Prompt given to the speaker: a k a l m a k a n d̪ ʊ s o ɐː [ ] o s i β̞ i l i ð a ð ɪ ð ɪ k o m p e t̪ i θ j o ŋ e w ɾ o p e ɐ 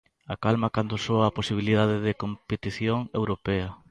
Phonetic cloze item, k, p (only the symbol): p